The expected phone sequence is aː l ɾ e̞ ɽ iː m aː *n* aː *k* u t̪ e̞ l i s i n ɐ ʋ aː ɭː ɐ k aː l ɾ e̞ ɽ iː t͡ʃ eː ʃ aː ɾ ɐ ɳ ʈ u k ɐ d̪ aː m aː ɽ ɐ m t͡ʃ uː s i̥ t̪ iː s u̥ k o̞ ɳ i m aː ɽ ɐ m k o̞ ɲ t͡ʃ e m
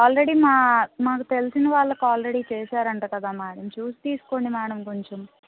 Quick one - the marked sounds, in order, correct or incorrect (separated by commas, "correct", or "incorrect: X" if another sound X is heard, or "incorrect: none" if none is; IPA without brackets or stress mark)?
incorrect: m, correct